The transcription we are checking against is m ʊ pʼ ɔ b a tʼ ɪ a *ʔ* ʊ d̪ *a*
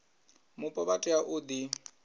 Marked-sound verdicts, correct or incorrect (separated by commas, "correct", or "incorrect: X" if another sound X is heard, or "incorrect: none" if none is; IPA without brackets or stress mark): correct, incorrect: i